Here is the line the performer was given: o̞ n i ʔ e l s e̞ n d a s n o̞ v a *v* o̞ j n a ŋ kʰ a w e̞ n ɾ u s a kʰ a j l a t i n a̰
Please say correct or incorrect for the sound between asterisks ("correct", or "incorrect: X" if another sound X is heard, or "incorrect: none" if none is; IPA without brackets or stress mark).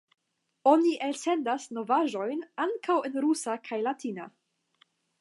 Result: incorrect: ʒ